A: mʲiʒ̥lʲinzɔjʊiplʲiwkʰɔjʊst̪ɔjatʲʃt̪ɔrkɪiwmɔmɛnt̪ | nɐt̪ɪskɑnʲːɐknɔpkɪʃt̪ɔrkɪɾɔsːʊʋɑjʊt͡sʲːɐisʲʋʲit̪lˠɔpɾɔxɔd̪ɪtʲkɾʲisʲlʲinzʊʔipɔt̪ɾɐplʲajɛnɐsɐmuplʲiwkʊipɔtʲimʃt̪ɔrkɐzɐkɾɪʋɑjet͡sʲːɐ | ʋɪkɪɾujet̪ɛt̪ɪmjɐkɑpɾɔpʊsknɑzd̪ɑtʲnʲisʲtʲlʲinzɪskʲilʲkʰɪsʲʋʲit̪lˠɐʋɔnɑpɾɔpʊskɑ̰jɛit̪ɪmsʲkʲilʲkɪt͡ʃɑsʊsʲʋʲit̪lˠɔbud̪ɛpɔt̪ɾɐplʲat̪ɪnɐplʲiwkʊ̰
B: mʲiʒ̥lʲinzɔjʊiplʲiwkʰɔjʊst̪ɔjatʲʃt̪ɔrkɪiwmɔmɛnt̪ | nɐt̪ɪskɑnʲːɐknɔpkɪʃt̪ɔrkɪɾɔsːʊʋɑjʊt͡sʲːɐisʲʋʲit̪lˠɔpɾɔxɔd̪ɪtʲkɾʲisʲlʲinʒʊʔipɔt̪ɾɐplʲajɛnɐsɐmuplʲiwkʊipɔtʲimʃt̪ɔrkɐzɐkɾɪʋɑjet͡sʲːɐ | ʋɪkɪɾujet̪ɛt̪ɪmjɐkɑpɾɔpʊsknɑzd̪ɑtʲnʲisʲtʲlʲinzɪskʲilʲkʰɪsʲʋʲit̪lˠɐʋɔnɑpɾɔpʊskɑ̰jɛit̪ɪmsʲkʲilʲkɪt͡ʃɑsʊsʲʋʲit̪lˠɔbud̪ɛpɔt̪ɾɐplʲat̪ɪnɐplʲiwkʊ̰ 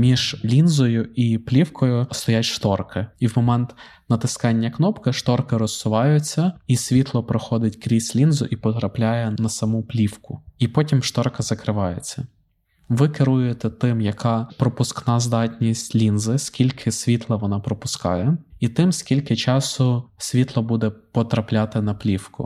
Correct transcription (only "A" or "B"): A